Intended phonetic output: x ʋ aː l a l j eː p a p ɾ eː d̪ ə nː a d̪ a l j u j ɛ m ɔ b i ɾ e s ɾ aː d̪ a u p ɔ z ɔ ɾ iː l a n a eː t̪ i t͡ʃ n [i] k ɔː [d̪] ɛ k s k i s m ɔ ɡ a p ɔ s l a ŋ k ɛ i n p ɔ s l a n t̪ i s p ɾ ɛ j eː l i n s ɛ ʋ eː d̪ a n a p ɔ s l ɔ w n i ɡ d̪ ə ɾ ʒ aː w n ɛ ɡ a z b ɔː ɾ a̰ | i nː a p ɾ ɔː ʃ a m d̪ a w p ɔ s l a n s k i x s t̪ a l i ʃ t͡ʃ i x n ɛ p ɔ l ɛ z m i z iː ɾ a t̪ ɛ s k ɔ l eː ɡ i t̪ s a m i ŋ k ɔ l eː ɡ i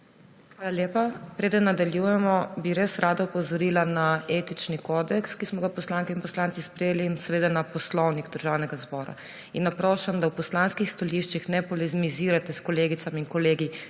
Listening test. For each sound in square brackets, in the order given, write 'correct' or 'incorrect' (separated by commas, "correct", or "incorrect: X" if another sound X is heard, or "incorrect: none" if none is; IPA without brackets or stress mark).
correct, correct